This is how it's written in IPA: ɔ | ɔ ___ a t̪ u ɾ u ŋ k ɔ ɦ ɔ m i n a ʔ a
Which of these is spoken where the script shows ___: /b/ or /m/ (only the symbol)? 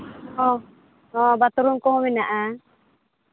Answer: b